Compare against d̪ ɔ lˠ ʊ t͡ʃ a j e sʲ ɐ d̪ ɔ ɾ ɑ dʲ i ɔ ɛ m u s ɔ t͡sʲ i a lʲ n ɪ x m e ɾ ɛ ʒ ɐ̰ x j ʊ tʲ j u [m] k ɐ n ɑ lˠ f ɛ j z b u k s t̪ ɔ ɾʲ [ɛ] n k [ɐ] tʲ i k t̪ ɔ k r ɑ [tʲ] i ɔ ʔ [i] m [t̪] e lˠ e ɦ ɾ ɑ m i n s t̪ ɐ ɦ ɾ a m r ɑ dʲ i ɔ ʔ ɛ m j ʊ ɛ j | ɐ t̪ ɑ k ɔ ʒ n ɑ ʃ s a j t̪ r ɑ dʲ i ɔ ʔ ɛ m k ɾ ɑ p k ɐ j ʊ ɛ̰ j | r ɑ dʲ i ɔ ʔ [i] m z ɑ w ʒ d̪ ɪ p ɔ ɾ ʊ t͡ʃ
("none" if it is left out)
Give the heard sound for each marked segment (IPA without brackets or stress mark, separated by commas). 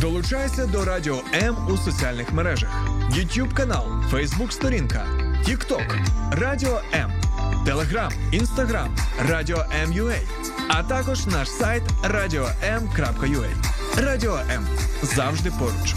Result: b, i, ɐ, dʲ, ɛ, t̪, ɛ